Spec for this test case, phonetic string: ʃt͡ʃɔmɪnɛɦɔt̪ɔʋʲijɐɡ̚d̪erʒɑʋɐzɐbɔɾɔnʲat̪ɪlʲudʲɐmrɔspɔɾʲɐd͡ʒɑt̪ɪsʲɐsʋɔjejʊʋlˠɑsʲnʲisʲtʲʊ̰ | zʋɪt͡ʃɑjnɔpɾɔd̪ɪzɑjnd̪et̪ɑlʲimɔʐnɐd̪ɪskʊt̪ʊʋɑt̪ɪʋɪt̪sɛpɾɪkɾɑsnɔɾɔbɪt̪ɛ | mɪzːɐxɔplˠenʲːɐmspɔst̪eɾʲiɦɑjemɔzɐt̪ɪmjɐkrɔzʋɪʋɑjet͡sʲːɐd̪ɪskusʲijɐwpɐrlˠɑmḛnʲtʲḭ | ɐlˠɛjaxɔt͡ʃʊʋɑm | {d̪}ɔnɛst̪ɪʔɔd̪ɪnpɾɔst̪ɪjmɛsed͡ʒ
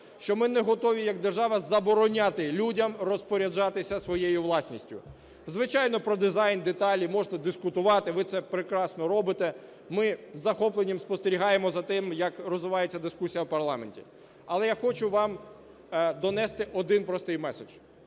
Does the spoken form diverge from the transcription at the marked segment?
no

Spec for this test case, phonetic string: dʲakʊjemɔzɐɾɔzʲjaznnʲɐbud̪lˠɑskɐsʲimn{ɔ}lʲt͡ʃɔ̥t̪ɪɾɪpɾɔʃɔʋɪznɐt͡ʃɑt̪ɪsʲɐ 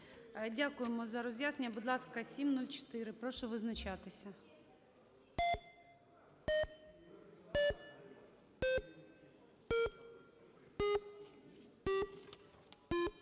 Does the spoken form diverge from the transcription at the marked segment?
yes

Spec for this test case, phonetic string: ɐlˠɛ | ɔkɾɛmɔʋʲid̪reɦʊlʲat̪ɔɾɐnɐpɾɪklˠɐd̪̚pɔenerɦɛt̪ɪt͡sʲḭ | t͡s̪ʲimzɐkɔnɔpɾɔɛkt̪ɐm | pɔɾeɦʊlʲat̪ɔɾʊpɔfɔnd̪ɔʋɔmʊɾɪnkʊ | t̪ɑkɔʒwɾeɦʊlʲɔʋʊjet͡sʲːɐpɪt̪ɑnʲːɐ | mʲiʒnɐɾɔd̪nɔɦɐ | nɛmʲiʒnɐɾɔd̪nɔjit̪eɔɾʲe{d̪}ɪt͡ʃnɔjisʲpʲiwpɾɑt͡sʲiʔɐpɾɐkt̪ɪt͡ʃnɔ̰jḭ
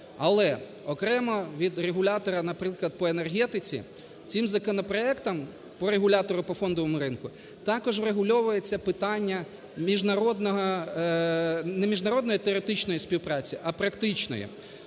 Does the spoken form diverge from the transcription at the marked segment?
yes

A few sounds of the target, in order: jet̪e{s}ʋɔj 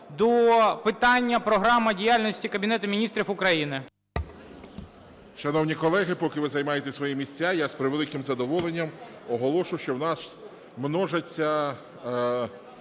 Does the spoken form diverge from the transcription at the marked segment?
no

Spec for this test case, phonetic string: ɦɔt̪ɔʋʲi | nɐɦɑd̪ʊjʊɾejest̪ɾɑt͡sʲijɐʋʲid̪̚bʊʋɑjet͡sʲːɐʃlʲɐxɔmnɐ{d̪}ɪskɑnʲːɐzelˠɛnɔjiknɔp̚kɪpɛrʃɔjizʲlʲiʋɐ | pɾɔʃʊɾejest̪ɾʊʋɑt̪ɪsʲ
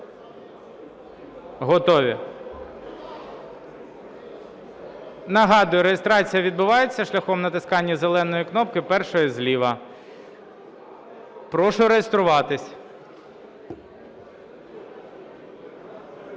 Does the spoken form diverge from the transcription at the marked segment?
yes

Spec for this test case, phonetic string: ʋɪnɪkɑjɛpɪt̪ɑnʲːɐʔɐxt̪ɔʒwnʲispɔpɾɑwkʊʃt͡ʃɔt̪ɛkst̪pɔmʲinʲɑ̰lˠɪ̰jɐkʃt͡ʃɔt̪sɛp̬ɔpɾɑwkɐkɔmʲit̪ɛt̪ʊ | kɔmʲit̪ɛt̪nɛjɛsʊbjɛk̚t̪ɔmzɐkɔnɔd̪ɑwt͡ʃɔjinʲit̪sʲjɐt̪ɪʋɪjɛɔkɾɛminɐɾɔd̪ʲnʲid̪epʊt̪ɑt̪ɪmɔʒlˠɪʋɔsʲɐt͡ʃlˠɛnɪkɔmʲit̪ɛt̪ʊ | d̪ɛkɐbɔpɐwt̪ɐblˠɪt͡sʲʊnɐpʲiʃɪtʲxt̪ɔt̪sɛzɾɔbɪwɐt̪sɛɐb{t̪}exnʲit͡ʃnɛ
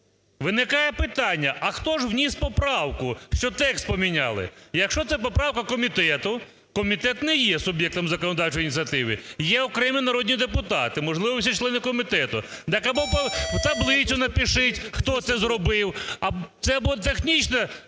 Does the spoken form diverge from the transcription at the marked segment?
no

